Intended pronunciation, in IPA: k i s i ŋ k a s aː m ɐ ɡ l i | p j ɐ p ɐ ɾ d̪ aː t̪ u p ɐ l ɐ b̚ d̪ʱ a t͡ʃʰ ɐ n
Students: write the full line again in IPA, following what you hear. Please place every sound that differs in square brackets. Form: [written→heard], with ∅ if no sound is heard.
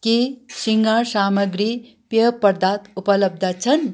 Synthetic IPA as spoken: k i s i ŋ [k→ɡ] a s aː m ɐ ɡ [l→ɾ] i | p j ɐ p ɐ ɾ d̪ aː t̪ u p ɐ l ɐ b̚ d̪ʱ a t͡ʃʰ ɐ n